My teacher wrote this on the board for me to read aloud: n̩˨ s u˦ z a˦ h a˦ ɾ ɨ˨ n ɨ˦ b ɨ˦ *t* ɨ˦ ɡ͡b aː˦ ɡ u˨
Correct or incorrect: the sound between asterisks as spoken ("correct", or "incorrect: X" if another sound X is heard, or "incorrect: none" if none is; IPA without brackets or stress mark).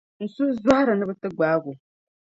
correct